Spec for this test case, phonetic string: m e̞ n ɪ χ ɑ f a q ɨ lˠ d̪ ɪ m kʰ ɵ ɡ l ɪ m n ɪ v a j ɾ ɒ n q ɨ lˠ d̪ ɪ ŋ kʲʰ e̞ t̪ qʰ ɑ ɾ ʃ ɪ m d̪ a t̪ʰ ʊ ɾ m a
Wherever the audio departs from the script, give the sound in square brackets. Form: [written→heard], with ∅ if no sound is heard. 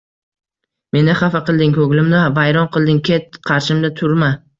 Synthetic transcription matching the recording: m e̞ n ɪ χ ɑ f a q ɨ lˠ d̪ ɪ [m→ŋ] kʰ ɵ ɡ l ɪ m n ɪ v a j ɾ ɒ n q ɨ lˠ d̪ ɪ ŋ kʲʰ e̞ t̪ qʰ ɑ ɾ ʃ ɪ m d̪ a t̪ʰ ʊ ɾ m a